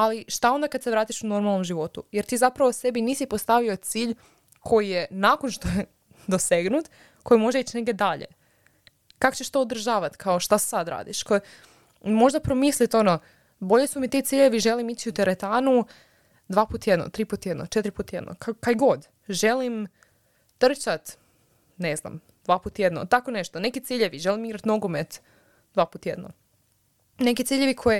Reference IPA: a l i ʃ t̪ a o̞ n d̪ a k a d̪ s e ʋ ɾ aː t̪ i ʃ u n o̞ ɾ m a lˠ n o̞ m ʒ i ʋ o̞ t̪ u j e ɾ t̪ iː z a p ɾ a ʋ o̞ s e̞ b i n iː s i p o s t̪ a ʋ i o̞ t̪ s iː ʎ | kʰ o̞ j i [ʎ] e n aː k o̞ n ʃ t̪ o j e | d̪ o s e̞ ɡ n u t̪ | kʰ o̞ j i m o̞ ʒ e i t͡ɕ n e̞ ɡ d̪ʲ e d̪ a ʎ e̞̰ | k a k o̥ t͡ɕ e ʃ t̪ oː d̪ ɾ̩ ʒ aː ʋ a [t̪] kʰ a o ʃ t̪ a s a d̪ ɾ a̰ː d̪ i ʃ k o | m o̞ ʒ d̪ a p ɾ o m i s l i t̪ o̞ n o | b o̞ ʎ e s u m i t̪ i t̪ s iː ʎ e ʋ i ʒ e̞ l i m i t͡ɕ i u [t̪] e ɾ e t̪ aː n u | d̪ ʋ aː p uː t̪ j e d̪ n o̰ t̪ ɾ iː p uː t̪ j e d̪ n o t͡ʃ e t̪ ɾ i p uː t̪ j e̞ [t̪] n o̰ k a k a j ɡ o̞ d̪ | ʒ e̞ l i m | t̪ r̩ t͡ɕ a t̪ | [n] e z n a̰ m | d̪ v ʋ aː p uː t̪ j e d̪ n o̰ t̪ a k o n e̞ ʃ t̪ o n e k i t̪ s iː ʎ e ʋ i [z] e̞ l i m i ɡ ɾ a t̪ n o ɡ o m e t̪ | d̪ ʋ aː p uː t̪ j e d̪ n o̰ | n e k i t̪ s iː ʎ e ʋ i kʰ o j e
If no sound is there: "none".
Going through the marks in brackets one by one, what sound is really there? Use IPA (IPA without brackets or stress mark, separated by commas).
j, t̪, t̪, d̪, n, ʒ